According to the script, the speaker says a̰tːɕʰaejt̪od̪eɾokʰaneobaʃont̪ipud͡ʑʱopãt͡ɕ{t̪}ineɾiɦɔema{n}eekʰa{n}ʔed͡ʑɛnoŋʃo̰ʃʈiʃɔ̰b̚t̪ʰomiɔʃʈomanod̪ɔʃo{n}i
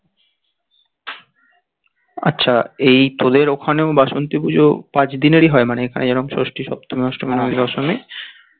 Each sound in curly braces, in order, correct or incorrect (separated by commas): incorrect, correct, correct, incorrect